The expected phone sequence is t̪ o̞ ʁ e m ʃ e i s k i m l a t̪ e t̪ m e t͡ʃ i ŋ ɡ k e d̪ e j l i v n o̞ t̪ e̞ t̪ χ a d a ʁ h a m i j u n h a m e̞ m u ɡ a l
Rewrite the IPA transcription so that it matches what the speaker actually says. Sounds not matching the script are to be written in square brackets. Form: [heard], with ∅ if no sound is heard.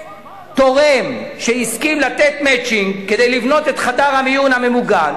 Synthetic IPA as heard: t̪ o̞ ʁ e m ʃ e i s k i m l a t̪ e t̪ m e t͡ʃ i ŋ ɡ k e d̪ e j l i v n o̞ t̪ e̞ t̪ χ a d a ʁ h a m i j u n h a m e̞ m u ɡ a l